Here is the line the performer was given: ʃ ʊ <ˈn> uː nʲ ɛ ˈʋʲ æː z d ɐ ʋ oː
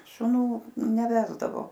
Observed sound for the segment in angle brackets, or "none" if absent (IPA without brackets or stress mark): n